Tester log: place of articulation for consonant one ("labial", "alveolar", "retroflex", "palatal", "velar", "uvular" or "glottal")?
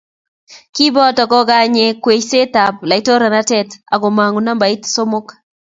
velar